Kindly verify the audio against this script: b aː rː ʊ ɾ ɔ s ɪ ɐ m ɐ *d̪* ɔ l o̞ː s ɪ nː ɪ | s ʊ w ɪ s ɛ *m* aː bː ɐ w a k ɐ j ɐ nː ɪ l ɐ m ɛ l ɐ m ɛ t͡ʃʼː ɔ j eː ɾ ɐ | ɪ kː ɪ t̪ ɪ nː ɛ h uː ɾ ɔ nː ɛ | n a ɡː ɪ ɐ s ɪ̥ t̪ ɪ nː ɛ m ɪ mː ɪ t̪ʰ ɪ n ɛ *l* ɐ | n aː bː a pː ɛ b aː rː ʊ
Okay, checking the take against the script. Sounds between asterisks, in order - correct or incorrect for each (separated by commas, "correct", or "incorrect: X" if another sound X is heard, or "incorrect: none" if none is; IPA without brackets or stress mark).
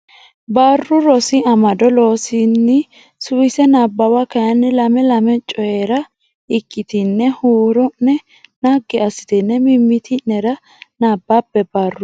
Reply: correct, incorrect: n, incorrect: ɾ